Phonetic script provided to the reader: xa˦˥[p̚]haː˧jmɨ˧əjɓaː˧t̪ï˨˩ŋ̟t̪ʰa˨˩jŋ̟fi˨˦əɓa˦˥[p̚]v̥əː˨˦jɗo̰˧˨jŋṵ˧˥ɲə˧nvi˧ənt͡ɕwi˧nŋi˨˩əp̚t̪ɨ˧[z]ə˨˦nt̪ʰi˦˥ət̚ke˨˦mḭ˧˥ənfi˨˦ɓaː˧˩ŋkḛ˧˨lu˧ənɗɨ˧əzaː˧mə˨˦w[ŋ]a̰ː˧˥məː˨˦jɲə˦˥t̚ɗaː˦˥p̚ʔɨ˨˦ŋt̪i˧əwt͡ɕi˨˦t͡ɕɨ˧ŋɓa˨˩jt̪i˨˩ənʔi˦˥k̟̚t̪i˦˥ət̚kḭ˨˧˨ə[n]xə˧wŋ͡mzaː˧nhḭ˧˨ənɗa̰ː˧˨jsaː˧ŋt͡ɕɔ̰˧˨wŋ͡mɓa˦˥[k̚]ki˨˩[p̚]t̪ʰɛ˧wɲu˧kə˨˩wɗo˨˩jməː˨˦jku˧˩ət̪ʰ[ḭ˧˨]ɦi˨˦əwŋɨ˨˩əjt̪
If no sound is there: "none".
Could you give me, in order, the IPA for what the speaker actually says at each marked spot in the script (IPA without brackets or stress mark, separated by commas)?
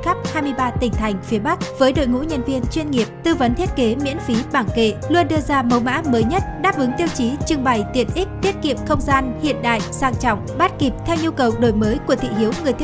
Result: p̚, k̚, v, m, m, t̚, p̚, ḭ˧˨